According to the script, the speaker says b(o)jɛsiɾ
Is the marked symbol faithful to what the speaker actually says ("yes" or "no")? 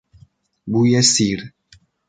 no